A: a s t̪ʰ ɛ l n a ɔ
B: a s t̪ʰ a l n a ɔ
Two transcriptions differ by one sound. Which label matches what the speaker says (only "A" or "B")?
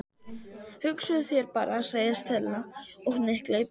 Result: A